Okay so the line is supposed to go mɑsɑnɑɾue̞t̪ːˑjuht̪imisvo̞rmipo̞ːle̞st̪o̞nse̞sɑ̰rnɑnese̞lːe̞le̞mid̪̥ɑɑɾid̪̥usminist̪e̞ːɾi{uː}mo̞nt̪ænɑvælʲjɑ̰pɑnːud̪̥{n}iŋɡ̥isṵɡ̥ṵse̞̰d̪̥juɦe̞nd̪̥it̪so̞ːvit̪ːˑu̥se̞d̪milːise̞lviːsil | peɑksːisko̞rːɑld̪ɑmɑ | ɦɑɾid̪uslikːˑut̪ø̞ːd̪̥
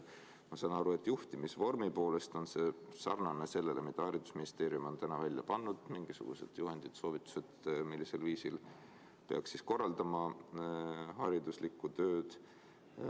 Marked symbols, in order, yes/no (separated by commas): no, no